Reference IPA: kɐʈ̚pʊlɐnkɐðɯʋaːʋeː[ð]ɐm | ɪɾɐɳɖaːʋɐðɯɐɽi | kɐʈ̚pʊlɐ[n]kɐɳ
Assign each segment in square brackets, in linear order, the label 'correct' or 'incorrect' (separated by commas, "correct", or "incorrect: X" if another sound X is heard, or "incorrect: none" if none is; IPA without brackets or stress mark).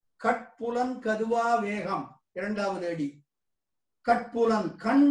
incorrect: ɣ, correct